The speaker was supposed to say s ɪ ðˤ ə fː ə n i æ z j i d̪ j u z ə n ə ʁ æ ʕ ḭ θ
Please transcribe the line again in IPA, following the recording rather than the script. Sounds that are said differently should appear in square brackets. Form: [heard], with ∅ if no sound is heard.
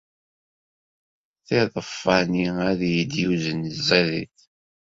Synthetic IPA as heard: [θ] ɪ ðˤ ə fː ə n i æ [ð] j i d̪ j u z ə n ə [z] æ [ð] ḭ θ